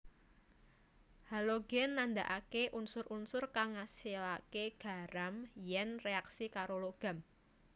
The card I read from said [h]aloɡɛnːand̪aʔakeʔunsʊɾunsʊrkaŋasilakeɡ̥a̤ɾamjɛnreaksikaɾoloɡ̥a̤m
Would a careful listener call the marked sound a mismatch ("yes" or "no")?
no